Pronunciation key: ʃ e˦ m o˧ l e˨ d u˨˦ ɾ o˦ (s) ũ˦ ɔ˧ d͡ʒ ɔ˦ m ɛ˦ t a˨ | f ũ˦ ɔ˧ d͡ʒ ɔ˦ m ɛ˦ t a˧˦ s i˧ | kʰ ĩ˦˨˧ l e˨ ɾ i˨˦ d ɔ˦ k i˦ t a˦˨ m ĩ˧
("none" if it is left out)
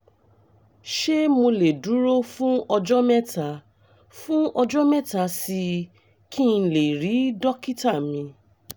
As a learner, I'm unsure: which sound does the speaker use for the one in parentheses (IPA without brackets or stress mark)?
f